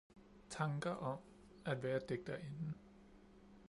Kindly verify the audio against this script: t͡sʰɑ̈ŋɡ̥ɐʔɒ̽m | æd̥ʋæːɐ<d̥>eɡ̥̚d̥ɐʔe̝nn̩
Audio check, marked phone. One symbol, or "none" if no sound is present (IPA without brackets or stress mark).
d̥